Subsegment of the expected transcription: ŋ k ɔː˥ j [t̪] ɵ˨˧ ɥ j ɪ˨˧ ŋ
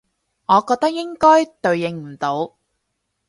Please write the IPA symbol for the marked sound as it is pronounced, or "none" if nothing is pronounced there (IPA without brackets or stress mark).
t̪